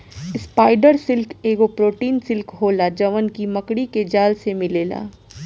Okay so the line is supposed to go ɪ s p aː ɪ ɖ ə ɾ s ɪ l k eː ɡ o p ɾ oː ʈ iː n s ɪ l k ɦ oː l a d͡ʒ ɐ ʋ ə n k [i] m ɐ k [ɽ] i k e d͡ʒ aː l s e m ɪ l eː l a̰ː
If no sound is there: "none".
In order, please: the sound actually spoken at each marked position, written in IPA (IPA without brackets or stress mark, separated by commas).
i, ɽ